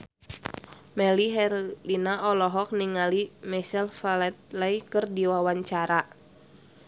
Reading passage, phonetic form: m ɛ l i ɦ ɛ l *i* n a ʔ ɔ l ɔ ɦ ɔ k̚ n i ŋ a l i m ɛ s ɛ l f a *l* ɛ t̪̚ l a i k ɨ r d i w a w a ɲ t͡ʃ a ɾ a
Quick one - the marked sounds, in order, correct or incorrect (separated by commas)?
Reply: correct, correct